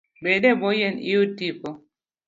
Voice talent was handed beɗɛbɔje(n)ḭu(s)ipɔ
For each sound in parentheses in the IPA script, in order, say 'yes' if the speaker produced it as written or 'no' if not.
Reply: yes, no

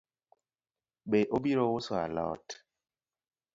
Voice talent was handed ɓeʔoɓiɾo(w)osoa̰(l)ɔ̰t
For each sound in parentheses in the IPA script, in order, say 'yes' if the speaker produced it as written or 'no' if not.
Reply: yes, yes

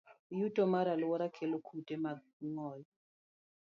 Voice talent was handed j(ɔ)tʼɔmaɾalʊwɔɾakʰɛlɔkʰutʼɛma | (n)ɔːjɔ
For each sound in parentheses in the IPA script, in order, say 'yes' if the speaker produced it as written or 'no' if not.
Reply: no, no

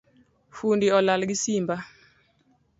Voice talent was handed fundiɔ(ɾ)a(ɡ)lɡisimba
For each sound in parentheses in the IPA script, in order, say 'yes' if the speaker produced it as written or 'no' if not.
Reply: no, no

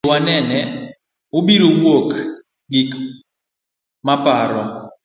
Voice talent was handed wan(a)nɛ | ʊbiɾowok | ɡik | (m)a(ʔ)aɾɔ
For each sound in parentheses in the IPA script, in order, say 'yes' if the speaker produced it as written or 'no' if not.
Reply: no, yes, no

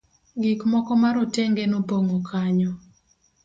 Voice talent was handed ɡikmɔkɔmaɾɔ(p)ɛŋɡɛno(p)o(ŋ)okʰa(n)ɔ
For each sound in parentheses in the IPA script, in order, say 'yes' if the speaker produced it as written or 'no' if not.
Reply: no, yes, yes, no

